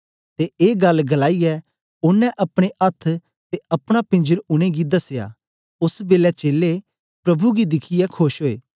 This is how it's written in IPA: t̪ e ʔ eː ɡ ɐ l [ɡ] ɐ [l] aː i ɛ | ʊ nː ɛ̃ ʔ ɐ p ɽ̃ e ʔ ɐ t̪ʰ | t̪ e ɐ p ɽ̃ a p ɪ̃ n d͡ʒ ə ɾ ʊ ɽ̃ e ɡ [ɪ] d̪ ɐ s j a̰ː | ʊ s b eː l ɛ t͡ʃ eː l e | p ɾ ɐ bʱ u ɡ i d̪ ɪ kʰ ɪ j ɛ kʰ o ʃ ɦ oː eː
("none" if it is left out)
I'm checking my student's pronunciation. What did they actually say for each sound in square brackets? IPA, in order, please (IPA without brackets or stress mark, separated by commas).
ɡ, l, i